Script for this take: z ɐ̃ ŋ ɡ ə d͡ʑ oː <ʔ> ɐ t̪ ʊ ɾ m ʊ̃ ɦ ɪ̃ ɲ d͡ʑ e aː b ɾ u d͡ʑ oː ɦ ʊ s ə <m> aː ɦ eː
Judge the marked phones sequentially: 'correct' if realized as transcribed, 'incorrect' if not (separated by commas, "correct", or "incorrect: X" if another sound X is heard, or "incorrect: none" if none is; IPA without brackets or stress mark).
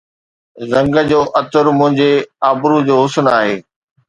correct, incorrect: n